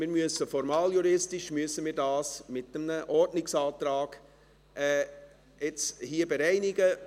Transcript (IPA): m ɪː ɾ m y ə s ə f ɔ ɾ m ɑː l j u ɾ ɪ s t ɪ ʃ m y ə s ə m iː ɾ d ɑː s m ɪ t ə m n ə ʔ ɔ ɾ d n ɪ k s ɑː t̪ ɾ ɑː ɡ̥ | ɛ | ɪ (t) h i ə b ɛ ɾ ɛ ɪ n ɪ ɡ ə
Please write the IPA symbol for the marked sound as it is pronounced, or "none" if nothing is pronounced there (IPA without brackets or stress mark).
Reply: t͡s